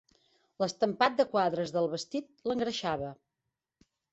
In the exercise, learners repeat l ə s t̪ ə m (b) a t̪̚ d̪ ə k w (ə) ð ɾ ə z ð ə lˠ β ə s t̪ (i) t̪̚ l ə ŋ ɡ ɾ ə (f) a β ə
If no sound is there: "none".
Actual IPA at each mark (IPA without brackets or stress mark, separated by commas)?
p, a, i, ʃ